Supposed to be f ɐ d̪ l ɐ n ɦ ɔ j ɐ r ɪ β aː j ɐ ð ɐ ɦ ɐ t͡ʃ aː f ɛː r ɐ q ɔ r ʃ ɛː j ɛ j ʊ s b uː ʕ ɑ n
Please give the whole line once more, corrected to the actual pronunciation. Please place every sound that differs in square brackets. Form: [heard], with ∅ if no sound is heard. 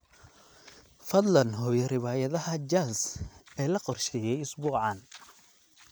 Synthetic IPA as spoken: f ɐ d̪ l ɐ n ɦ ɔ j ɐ r ɪ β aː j ɐ ð ɐ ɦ ɐ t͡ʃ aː [s] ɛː [l] ɐ q ɔ r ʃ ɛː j ɛ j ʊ s b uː ʕ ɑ n

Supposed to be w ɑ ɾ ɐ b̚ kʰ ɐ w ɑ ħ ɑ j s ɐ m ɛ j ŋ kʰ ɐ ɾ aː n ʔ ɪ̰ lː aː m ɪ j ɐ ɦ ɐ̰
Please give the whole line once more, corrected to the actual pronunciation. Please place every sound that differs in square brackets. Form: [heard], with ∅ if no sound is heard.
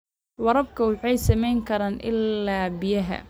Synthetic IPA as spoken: w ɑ ɾ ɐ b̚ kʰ ɐ w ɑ ħ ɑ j s ɐ m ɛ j ŋ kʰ ɐ ɾ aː n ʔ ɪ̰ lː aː [b] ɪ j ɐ ɦ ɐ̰

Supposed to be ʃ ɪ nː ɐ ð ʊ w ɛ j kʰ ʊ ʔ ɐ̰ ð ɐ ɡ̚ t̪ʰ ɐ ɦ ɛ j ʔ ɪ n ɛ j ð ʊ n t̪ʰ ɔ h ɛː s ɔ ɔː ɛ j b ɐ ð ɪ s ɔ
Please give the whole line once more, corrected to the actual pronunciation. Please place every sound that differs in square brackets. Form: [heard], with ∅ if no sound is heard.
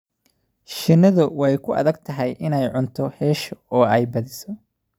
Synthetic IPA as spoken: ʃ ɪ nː ɐ ð ʊ w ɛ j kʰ ʊ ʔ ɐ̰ ð ɐ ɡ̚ t̪ʰ ɐ ɦ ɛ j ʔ ɪ n ɛ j [ʕ] ʊ n t̪ʰ ɔ h ɛː [ʃ] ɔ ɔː ɛ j b ɐ ð ɪ s ɔ

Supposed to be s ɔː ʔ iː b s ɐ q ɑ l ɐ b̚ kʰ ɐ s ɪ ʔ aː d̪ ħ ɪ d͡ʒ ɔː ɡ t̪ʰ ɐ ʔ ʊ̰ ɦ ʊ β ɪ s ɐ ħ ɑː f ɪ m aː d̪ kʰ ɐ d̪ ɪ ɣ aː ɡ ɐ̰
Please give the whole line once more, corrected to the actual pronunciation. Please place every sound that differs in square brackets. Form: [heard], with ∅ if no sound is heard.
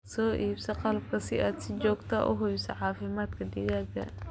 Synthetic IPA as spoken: s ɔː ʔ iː b s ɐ q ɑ l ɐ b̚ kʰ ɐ s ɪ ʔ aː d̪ [s] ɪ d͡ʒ ɔː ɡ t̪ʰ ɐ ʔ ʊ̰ ɦ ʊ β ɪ s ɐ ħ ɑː f ɪ m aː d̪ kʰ ɐ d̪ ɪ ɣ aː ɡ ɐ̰

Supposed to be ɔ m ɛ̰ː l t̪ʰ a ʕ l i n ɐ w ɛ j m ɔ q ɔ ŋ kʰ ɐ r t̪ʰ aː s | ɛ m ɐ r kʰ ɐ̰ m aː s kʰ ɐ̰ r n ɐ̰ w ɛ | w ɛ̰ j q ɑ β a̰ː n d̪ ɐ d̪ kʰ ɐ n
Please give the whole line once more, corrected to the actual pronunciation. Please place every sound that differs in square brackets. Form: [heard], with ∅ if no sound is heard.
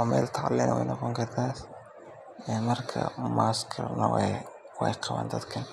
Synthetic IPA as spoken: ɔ m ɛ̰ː l t̪ʰ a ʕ l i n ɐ w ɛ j [n] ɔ q ɔ ŋ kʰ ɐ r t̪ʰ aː s | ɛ m ɐ r kʰ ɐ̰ m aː s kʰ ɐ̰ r n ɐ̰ w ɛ | w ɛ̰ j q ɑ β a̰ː n d̪ ɐ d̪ kʰ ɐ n

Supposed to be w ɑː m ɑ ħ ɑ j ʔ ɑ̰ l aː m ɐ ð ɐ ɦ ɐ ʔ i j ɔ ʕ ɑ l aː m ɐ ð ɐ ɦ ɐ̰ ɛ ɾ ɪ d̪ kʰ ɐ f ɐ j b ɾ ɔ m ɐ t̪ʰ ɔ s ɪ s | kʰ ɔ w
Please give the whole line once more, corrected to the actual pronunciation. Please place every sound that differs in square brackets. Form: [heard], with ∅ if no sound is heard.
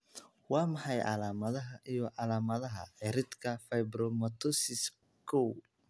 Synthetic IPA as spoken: w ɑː m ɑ ħ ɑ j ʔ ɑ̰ l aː m ɐ ð ɐ ɦ ɐ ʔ i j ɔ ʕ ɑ l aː m ɐ ð ɐ ɦ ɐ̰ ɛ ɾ ɪ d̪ kʰ ɐ f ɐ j b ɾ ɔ m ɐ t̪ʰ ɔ s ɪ s | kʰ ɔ w

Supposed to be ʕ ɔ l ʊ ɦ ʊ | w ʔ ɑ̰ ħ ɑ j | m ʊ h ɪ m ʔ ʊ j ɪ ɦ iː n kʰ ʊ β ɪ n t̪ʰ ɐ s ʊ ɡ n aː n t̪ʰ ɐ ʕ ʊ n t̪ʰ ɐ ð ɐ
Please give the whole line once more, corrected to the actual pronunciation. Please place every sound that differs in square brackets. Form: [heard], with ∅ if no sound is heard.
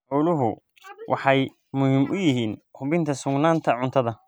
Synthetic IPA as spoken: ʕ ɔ l ʊ ɦ ʊ | w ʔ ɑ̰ ħ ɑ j | m ʊ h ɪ m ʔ ʊ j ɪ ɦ iː n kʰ ʊ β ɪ n t̪ʰ ɐ s ʊ ɡ n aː n t̪ʰ ɐ ʕ ʊ n t̪ʰ ɐ ð ɐ

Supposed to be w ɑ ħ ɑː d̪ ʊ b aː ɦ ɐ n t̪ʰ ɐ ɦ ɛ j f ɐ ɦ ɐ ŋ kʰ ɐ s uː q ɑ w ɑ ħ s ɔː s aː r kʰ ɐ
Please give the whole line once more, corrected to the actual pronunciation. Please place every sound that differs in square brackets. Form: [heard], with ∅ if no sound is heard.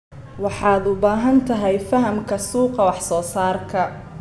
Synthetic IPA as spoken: w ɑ ħ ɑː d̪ ʊ b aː ɦ ɐ n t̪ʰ ɐ ɦ ɛ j f ɐ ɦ ɐ [m] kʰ ɐ s uː q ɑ w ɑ ħ s ɔː s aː r kʰ ɐ

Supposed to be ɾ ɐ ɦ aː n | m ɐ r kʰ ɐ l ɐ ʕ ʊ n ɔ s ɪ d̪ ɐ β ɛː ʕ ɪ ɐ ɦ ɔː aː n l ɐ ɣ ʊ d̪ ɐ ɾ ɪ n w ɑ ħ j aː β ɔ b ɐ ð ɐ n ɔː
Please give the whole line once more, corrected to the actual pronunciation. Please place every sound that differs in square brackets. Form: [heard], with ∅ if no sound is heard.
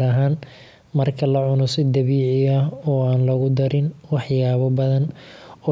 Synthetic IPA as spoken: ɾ ɐ ɦ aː n | m ɐ r kʰ ɐ l ɐ ʕ ʊ n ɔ s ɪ d̪ ɐ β [iː] ʕ ɪ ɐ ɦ ɔː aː n l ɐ ɣ ʊ d̪ ɐ ɾ ɪ n w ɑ ħ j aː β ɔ b ɐ ð ɐ n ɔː

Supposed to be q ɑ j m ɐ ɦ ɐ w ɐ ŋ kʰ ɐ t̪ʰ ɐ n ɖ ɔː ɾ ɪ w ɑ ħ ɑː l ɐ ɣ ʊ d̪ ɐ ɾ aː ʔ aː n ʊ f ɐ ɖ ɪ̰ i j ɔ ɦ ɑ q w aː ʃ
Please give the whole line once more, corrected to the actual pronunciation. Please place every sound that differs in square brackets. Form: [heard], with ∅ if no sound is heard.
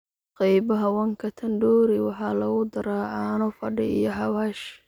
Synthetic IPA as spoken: q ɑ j [b] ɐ ɦ ɐ w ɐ ŋ kʰ ɐ t̪ʰ ɐ n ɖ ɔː ɾ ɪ w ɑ ħ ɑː l ɐ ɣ ʊ d̪ ɐ ɾ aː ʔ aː n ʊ f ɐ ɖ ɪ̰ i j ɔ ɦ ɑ [∅] w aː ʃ

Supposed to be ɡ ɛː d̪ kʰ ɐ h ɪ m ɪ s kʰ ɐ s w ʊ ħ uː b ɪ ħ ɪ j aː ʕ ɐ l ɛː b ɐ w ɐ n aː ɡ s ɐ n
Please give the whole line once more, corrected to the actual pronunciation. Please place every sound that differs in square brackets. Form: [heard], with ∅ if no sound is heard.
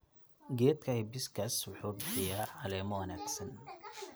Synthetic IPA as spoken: ɡ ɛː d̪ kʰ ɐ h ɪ [b] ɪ s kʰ ɐ s w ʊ ħ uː b ɪ ħ ɪ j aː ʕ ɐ l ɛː [m] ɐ w ɐ n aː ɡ s ɐ n

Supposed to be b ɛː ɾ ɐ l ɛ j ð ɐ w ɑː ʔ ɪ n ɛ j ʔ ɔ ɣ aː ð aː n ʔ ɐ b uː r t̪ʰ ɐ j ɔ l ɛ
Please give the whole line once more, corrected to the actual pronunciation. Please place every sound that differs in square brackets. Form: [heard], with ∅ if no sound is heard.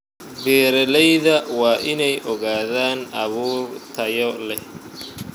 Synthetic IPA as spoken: b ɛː ɾ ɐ l ɛ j ð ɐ w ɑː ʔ ɪ n ɛ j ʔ ɔ ɣ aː ð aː n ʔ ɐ [β] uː r t̪ʰ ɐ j ɔ l ɛ

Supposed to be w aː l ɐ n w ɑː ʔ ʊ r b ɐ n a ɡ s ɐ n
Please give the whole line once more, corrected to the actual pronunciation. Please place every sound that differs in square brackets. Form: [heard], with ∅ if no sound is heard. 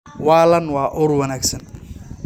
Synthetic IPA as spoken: w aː l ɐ n w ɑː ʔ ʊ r [w] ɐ n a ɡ s ɐ n

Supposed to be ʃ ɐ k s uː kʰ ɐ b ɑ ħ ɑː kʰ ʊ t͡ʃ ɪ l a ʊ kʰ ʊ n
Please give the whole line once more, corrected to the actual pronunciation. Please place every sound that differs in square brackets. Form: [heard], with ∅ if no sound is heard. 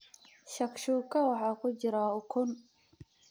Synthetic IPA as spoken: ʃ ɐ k [ʃ] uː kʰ ɐ [w] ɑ ħ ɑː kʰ ʊ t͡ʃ ɪ [ɾ] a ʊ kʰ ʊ n

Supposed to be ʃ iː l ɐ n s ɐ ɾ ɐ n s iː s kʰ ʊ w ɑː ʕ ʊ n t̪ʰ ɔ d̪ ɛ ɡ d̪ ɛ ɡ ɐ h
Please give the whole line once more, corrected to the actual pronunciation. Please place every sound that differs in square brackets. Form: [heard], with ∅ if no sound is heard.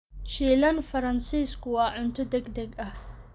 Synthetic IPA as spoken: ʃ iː l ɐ n [f] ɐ ɾ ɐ n s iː s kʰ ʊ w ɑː ʕ ʊ n t̪ʰ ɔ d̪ ɛ ɡ d̪ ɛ ɡ ɐ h

